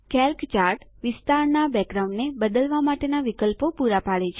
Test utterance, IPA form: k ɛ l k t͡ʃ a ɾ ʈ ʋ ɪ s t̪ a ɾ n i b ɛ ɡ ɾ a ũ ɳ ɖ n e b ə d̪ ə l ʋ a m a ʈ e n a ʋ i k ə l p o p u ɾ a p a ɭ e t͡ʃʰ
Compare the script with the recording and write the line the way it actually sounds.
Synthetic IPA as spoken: k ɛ l k t͡ʃ a ɾ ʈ ʋ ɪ s t̪ a ɾ n a b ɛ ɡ ɾ a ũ ɳ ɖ n e b ə d̪ ə l ʋ a m a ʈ e n a ʋ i k ə l p o p u ɾ a p a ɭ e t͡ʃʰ